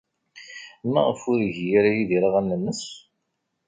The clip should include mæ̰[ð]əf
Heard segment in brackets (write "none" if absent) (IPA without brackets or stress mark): ʁ